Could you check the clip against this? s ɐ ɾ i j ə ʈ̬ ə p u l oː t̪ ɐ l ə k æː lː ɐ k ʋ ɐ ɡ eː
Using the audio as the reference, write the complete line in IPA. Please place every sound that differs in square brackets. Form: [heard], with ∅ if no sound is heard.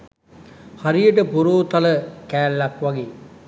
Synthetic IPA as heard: [h] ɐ ɾ i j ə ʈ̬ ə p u [ɾ] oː t̪ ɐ l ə k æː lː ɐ k ʋ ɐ ɡ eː